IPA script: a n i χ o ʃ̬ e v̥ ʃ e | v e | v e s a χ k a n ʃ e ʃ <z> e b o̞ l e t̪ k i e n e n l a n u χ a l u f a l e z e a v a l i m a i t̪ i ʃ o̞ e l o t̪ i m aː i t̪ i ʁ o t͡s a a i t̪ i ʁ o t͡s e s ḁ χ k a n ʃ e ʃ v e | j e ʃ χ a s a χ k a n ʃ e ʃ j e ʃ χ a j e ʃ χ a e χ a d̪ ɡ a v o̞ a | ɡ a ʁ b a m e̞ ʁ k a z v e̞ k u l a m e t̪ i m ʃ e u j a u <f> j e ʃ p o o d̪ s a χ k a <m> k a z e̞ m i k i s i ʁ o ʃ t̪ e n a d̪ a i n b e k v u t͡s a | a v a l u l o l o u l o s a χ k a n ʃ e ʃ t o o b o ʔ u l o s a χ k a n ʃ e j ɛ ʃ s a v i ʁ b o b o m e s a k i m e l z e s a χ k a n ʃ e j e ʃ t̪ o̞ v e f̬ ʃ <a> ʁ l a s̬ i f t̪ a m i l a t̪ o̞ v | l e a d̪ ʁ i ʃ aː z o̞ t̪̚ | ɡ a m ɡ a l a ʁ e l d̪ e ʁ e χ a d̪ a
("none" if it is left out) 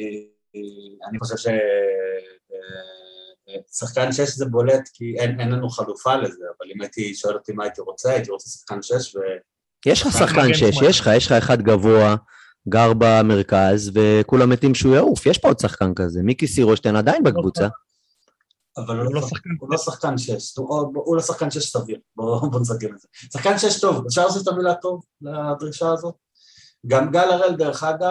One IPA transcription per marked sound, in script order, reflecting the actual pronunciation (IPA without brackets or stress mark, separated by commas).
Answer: z, f, n, a